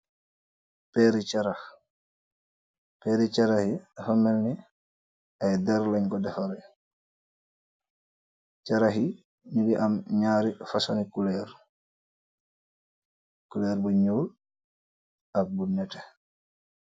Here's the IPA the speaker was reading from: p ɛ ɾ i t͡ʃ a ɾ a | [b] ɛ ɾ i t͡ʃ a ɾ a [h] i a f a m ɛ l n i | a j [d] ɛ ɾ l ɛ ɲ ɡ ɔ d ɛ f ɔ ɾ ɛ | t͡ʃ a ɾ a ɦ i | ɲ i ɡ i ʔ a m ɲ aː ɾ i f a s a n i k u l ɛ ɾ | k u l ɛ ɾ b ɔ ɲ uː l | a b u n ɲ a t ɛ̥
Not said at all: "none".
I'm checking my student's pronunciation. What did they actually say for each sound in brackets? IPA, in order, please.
p, h, d

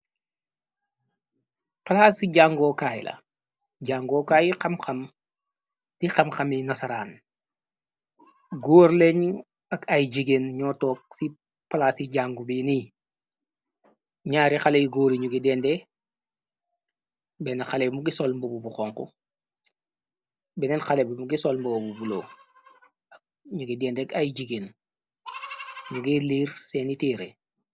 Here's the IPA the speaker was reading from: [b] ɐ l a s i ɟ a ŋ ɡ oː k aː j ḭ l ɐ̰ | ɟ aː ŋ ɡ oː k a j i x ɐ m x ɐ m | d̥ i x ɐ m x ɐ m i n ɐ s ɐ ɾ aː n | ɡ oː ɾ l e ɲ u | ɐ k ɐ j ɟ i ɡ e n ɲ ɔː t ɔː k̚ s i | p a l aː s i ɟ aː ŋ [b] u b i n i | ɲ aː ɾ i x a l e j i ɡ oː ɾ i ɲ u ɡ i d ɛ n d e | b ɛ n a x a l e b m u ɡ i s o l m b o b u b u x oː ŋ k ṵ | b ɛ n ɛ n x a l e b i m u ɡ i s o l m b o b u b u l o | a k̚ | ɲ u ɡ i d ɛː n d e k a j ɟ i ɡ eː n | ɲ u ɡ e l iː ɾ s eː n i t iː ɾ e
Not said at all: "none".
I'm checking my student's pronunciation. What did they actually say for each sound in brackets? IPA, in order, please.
p, ɡ

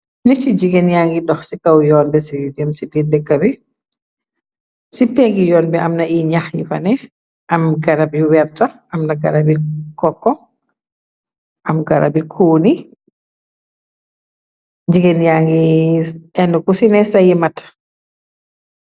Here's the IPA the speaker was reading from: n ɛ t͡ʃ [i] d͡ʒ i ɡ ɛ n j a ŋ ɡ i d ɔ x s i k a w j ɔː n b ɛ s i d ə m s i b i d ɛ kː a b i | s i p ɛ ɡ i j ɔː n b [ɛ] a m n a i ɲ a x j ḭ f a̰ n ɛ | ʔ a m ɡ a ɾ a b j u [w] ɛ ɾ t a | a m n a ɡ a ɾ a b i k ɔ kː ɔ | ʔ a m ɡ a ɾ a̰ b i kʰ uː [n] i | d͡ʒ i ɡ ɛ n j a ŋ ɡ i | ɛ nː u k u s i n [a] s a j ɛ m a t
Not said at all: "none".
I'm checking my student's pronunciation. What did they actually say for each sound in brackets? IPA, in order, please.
i, ɛ, w, n, ɛ

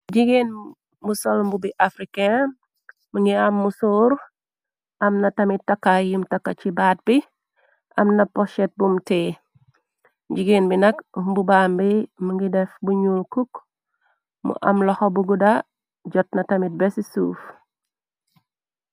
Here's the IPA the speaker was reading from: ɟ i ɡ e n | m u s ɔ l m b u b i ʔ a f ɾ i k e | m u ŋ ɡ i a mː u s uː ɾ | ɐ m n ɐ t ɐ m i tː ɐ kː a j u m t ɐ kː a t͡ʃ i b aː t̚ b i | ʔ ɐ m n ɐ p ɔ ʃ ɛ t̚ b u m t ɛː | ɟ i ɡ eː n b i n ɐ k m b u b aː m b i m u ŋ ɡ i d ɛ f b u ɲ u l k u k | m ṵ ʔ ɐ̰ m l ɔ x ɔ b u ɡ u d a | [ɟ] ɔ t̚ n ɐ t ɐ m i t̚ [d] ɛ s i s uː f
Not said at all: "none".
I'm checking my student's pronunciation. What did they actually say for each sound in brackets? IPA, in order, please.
ɟ, b

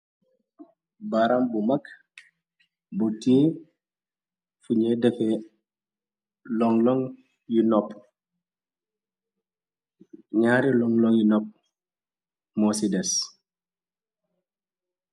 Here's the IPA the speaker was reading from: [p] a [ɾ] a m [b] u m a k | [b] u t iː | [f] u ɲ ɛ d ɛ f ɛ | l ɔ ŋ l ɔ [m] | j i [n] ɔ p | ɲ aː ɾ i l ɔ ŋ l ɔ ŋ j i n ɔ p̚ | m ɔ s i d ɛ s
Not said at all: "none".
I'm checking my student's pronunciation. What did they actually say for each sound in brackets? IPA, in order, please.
b, ɾ, b, b, f, ŋ, n

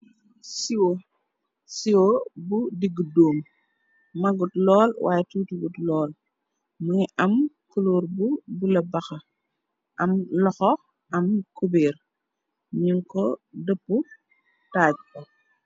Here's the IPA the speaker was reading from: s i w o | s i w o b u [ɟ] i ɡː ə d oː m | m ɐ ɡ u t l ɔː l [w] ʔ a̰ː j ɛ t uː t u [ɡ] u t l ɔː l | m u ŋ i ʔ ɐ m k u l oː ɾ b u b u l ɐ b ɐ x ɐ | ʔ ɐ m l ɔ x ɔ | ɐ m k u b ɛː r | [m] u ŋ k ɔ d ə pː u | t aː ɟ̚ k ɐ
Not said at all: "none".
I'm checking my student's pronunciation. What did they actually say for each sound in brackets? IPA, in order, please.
d, w, ɡ, ɲ

